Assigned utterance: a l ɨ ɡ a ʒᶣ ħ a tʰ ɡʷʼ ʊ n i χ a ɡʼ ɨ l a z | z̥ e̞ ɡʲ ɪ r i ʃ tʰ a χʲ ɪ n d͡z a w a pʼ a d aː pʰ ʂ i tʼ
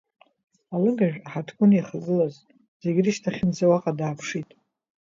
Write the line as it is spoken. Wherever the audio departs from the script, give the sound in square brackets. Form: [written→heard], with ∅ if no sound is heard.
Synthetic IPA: a l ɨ ɡ a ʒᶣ ħ a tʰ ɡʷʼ ʊ n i χ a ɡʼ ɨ l a z | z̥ e̞ ɡʲ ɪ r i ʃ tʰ a χʲ ɪ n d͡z a w a [pʼ→qʼ] a d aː pʰ ʂ i tʼ